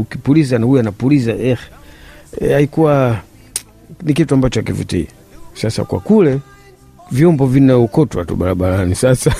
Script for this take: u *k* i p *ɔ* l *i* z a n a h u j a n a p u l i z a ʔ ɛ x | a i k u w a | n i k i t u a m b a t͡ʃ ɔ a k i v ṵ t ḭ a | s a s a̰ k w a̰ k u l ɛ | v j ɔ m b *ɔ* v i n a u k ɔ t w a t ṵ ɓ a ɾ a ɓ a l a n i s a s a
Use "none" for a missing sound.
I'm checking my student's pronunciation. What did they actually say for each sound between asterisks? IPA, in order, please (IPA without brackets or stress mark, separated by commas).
k, u, i, ɔ